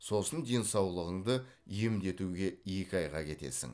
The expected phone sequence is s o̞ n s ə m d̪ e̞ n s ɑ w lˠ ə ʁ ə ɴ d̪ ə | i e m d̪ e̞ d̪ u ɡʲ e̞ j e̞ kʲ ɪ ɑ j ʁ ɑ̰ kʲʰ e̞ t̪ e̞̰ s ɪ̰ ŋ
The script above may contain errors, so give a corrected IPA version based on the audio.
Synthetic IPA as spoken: s o̞ s ə n d̪ e̞ n s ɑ w lˠ ə ʁ ə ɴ d̪ ə | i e m d̪ e̞ t̪ u ɡʲ e̞ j e̞ kʲ ɪ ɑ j ʁ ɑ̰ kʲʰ e̞ t̪ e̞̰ s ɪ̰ ŋ